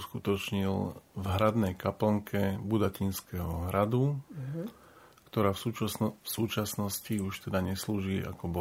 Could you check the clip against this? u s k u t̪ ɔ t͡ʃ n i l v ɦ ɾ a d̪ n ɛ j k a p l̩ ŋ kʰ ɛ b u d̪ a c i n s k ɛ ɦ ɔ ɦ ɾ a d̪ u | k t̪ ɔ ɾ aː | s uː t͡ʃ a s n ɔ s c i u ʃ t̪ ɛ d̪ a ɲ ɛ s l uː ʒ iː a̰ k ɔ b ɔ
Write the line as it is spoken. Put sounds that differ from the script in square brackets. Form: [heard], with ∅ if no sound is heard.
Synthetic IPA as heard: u s k u t̪ ɔ t͡ʃ [ɲ] i l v ɦ ɾ a d̪ n ɛ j k a p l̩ ŋ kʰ ɛ b u d̪ a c i n s k ɛ ɦ ɔ ɦ ɾ a d̪ u | k t̪ ɔ ɾ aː | s uː t͡ʃ a s n ɔ s c i u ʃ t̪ ɛ d̪ a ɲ ɛ s l uː ʒ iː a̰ k ɔ b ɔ